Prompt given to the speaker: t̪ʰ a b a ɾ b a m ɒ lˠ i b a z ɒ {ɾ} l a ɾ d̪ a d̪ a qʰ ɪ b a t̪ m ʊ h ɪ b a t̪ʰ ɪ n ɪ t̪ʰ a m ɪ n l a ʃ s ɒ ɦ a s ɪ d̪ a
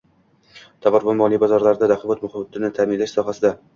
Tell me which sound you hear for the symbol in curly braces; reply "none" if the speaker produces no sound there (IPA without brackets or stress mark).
ɾ